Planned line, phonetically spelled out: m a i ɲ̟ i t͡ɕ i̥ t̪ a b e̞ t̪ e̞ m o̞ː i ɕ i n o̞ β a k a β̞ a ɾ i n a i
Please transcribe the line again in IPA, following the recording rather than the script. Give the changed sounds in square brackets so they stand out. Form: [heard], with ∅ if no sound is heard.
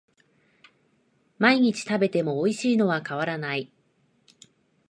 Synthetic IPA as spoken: m a i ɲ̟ i t͡ɕ i̥ t̪ a b e̞ t̪ e̞ m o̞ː i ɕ [iː] n o̞ β a k a β̞ a ɾ [a] n a i